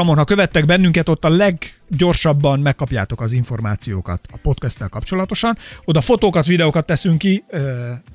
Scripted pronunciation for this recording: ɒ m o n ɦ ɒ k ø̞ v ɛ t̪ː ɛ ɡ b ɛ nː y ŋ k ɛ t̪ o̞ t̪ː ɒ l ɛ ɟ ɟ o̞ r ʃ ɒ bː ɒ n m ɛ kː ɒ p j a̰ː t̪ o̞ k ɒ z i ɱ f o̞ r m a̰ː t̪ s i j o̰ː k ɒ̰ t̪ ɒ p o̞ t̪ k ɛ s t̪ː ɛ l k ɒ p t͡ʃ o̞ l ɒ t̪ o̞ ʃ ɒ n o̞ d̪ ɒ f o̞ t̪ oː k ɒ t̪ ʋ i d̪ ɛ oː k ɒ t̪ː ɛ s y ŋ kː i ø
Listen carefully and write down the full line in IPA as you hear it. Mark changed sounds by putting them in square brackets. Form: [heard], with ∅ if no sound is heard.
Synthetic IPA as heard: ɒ m o n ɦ ɒ k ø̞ v ɛ t̪ː ɛ ɡ b ɛ nː y ŋ k ɛ t̪ o̞ t̪ː ɒ l ɛ [ɡ] ɟ o̞ r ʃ ɒ bː ɒ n m ɛ kː ɒ p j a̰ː t̪ o̞ k ɒ z i ɱ f o̞ r m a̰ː t̪ s i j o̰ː k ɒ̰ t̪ ɒ p o̞ t̪ k ɛ s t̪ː ɛ l k ɒ p t͡ʃ o̞ l ɒ t̪ o̞ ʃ ɒ n o̞ d̪ ɒ f o̞ t̪ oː k ɒ t̪ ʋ i d̪ ɛ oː k ɒ t̪ː ɛ s y ŋ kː i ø